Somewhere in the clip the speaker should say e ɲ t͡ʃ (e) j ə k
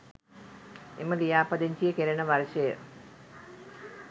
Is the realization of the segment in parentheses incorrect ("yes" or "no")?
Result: yes